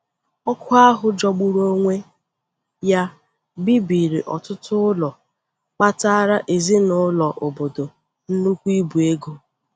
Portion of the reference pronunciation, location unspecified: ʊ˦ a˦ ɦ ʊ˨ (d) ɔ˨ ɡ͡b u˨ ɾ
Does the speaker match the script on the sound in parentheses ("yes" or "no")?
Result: no